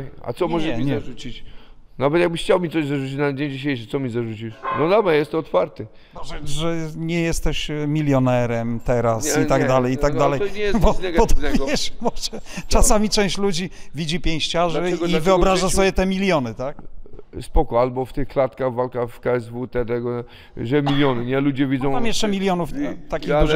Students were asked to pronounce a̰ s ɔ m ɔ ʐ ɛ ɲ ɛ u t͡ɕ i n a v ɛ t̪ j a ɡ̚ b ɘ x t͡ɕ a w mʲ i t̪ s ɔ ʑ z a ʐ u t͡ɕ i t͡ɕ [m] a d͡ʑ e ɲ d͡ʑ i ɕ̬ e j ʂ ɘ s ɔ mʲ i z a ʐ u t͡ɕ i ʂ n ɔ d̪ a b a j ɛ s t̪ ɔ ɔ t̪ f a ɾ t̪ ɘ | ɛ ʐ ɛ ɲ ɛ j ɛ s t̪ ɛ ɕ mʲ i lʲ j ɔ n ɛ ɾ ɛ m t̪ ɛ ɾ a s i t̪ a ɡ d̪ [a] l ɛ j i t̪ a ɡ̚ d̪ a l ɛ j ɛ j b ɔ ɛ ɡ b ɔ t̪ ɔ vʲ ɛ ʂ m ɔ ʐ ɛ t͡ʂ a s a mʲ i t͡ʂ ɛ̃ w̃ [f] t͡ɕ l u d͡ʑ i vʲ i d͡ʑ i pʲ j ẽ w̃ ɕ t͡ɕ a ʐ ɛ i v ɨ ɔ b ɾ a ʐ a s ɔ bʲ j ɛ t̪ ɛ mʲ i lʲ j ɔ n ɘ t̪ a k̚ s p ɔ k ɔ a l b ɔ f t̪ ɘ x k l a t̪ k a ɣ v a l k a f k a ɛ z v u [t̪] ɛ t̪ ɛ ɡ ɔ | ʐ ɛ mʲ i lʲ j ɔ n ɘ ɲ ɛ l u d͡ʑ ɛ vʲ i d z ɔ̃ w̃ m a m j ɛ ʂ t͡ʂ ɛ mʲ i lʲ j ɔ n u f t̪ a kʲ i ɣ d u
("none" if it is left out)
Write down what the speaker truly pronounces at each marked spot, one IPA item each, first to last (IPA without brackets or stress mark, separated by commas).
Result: n, a, ɕ, t̪